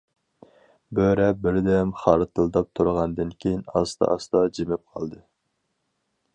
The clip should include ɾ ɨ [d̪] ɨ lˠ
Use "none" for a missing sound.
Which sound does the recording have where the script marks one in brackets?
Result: t̪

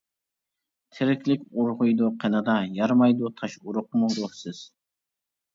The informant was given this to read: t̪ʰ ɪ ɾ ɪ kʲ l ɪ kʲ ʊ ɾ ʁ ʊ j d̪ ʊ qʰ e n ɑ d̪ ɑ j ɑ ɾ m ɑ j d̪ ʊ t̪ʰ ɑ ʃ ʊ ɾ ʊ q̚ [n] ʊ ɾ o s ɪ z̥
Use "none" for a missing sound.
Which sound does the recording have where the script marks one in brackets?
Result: m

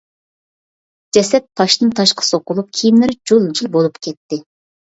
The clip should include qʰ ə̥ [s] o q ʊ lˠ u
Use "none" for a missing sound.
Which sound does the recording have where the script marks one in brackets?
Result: s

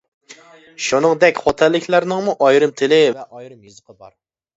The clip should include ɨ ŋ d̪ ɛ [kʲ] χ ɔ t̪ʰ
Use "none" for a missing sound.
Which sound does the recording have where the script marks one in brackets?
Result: kʲ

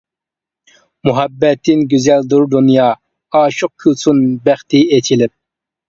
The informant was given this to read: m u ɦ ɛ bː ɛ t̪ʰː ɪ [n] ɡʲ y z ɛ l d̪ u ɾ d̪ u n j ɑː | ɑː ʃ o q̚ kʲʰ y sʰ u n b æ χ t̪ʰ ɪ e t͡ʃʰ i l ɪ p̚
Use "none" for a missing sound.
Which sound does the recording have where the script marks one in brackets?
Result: n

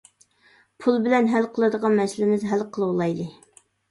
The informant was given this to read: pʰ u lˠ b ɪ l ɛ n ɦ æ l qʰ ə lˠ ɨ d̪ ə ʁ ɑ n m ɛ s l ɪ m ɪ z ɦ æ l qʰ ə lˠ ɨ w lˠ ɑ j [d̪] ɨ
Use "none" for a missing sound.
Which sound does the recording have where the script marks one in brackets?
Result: d̪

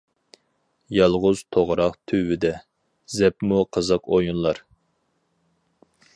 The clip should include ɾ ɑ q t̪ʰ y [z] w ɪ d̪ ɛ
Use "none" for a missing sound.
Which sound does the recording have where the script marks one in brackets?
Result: none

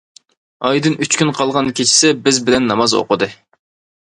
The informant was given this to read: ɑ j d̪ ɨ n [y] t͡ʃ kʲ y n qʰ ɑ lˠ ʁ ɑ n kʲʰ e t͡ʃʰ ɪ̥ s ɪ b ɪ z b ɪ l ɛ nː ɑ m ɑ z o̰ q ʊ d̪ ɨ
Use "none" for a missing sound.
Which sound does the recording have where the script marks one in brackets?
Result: y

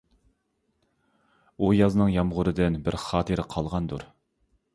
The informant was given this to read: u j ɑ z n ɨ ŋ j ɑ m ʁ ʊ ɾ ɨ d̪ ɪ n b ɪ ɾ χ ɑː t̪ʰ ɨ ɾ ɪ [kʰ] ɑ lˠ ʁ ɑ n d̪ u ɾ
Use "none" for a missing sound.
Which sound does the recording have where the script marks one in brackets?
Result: qʰ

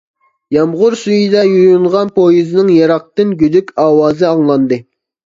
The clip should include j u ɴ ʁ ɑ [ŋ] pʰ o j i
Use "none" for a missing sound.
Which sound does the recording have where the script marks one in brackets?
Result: n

